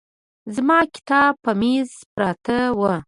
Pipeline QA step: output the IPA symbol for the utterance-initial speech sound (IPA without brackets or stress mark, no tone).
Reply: z